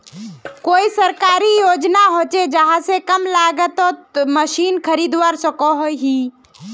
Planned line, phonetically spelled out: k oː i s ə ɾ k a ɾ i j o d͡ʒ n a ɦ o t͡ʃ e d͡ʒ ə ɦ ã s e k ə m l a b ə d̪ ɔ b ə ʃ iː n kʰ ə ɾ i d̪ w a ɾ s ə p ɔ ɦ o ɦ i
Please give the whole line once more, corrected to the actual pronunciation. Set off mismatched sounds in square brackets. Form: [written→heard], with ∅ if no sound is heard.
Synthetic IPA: k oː i s ə ɾ k a ɾ i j o d͡ʒ n a ɦ o t͡ʃ e d͡ʒ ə ɦ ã s e k ə m l a [b→ɡ] ə [d̪→t̪] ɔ [b→m] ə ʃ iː n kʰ ə ɾ i d̪ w a ɾ s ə [p→k] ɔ ɦ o ɦ i

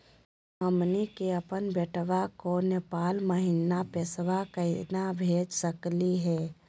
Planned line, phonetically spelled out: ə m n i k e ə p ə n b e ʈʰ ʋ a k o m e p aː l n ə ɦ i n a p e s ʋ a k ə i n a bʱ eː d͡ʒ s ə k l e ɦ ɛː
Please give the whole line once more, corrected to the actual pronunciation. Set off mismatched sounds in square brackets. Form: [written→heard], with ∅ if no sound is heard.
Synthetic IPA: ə m n i k e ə p ə n b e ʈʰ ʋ a k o [m→n] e p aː l [n→m] ə ɦ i n a p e s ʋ a k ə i n a bʱ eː d͡ʒ s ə k l [e→i] ɦ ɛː

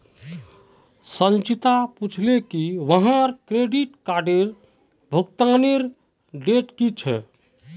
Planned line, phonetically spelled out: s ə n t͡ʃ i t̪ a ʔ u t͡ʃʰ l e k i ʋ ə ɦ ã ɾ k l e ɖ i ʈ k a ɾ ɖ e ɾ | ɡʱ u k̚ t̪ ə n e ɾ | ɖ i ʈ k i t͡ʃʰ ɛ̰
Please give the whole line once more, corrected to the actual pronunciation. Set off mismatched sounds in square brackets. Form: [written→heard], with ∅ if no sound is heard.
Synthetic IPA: s ə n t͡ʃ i t̪ a [ʔ→p] u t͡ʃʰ l e k i ʋ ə ɦ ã ɾ k [l→ɾ] e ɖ i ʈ k a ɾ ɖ e ɾ | [ɡʱ→bʱ] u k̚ t̪ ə n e ɾ | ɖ [i→e] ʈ k i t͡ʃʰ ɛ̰

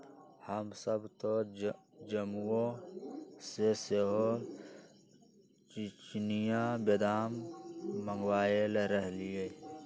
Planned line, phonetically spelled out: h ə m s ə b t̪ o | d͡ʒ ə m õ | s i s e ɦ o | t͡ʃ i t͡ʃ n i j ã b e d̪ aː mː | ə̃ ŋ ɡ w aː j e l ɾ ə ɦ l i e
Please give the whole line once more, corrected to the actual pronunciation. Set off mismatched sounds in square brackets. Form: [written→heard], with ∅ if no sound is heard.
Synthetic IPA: h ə m s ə b t̪ o | d͡ʒ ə m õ | s [i→e] s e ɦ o | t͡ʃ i t͡ʃ n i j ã b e d̪ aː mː | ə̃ ŋ ɡ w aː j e l ɾ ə ɦ l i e

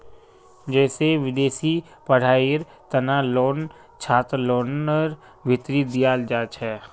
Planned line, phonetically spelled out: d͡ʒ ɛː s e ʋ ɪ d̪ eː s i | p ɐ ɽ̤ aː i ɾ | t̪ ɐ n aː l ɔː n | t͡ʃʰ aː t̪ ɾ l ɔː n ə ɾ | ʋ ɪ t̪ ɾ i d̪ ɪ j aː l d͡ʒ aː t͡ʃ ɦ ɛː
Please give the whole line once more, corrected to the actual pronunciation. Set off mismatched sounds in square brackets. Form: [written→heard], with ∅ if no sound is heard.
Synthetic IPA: d͡ʒ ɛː s e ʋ ɪ d̪ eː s i | p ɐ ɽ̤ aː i ɾ | t̪ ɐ n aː l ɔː n | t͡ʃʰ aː t̪ ɾ l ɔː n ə ɾ | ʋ ɪ t̪ ɾ i d̪ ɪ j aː l d͡ʒ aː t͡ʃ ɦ ɛː

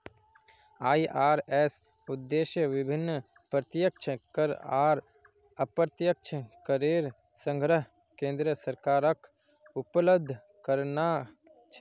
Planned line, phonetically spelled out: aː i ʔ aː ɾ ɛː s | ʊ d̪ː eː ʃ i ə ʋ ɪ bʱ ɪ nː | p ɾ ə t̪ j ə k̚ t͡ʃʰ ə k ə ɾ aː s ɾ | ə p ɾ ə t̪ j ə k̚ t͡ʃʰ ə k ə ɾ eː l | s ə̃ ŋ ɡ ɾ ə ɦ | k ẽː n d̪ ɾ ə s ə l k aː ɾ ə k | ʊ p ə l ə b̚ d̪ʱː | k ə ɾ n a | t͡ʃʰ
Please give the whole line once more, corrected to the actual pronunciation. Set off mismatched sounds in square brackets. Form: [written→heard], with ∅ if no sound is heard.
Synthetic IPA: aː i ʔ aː ɾ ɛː s | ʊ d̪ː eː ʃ [i→j] ə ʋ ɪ bʱ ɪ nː | p ɾ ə t̪ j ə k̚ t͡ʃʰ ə k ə ɾ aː [s→∅] ɾ | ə p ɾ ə t̪ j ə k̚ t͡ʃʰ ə k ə ɾ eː [l→ɾ] | s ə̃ ŋ ɡ ɾ ə ɦ | k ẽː n d̪ ɾ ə s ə [l→ɾ] k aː ɾ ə k | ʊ p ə l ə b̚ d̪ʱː | k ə ɾ n a | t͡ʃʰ

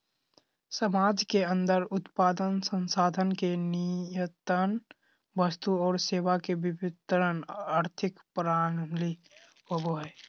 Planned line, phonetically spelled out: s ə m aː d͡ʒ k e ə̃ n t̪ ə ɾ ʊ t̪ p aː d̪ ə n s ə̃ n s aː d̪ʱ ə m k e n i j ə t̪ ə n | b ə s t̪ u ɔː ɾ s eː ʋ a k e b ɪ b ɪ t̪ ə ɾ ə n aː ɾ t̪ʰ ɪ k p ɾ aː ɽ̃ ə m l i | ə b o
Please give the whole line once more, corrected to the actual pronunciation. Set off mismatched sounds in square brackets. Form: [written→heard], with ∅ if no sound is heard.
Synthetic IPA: s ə m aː d͡ʒ k e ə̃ n [t̪→d̪] ə ɾ ʊ t̪ p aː d̪ ə n s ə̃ n s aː d̪ʱ ə [m→n] k e n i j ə t̪ ə n | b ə s t̪ u ɔː ɾ s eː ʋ a k e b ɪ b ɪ t̪ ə ɾ ə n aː ɾ t̪ʰ ɪ k p ɾ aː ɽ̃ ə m l i | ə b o

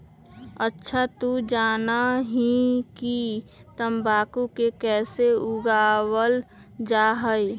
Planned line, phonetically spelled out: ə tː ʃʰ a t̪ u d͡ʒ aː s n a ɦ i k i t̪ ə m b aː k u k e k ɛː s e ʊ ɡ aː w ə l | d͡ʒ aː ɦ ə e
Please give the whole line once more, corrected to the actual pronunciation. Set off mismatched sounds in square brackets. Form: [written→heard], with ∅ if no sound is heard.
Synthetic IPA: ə tː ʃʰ a t̪ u d͡ʒ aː [s→∅] n a ɦ i k i t̪ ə m b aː k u k e k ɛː s e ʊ ɡ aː w ə l | d͡ʒ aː ɦ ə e

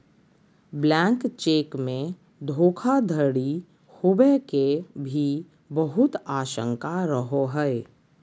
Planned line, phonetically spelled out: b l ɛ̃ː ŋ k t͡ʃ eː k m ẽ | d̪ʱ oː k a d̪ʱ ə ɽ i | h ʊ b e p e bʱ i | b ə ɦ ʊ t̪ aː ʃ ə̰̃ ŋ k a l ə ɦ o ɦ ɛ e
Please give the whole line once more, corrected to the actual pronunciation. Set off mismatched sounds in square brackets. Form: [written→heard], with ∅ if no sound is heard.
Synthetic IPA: b l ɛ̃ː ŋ k t͡ʃ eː k m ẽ | d̪ʱ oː [k→kʰ] a d̪ʱ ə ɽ i | h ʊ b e [p→k] e bʱ i | b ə ɦ ʊ t̪ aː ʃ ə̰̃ ŋ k a [l→ɾ] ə ɦ o ɦ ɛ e

